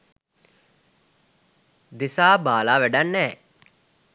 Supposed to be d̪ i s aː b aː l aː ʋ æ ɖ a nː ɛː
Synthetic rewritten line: d̪ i s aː b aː l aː ʋ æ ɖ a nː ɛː